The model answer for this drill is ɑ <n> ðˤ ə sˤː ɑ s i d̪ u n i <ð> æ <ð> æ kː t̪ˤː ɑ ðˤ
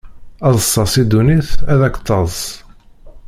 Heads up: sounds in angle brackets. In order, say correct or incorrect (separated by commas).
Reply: incorrect, incorrect, correct